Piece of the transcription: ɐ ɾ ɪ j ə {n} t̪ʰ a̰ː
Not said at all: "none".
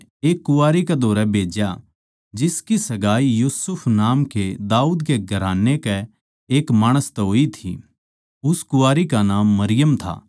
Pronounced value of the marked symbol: m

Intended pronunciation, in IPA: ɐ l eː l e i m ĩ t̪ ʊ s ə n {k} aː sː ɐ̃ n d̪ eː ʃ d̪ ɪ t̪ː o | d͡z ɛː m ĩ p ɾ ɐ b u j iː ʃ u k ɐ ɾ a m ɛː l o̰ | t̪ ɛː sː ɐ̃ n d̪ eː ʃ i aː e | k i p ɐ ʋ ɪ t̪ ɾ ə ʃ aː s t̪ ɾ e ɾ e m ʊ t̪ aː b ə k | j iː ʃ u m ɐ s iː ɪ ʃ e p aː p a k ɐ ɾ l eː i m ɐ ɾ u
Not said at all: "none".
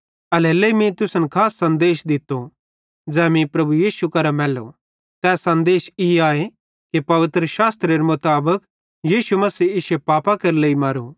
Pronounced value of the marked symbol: kʰ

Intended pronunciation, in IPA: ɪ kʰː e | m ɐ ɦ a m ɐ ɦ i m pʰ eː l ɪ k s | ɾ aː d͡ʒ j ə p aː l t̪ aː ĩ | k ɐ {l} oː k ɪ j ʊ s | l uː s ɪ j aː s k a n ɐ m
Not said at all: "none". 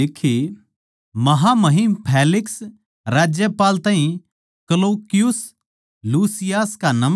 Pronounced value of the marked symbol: l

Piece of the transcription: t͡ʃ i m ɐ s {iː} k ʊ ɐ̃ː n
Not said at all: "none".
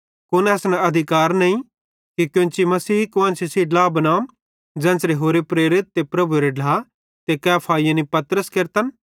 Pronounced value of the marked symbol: iː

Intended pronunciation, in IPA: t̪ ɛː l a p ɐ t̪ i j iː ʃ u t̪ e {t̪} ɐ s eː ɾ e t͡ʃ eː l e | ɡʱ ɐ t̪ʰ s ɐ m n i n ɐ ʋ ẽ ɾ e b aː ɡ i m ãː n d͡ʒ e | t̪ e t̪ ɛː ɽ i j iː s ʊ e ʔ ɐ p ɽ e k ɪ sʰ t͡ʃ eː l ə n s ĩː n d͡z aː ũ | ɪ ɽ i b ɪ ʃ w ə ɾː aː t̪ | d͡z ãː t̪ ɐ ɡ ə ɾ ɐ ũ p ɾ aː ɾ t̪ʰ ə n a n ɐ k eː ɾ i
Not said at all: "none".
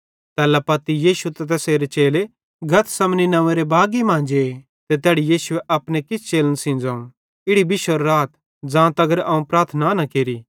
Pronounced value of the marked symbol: t̪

